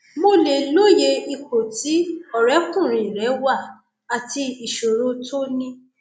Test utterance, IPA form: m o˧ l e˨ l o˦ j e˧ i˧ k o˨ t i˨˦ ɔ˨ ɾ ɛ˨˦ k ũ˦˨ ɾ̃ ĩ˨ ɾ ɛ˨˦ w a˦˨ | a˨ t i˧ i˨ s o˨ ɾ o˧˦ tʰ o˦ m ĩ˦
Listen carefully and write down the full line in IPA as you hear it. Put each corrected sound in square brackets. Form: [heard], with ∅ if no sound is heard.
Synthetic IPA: m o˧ l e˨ l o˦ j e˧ i˧ k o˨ t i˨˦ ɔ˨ ɾ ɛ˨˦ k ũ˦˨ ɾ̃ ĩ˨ ɾ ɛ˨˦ w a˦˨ | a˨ t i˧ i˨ [ʃ] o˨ ɾ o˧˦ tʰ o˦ [n] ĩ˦